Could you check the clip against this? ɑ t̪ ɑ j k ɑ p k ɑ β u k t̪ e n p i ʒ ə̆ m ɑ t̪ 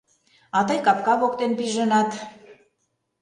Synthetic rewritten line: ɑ t̪ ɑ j k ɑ p k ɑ β o k t̪ e n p i ʒ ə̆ n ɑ t̪